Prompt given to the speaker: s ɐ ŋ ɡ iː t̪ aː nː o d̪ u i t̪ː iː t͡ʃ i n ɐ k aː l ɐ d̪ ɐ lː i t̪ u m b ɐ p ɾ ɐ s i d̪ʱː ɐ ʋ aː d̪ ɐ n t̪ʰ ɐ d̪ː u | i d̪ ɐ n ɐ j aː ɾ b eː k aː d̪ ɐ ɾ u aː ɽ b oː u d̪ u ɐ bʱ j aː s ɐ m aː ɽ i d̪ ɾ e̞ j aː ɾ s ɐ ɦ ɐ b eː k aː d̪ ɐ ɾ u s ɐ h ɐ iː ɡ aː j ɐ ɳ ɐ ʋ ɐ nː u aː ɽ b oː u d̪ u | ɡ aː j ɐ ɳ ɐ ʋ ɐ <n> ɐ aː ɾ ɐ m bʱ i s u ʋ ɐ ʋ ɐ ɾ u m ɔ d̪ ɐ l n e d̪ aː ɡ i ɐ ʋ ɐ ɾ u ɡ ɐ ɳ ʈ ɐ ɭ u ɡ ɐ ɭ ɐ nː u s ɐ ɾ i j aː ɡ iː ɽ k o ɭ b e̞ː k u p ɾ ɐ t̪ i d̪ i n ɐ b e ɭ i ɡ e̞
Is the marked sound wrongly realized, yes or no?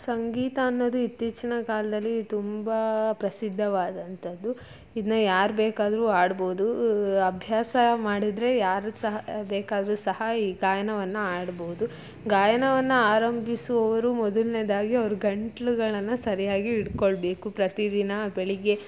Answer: yes